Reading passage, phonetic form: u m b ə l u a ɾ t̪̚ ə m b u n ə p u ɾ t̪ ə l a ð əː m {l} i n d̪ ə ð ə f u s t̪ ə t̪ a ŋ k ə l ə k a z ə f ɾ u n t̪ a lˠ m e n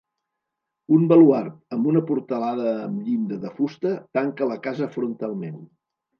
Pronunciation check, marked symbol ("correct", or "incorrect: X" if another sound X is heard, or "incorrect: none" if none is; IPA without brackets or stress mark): incorrect: ʎ